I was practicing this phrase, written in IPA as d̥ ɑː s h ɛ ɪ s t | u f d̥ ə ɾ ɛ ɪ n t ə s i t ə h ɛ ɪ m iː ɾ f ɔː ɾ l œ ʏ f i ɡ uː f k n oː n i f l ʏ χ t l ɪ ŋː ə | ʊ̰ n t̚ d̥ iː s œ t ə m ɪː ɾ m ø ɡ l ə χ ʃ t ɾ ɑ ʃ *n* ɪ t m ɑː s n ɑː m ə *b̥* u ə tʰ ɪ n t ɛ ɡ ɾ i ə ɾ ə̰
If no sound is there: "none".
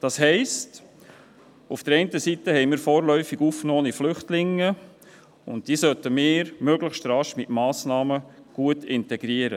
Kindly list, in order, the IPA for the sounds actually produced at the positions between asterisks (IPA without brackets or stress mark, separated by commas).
m, ɡ̥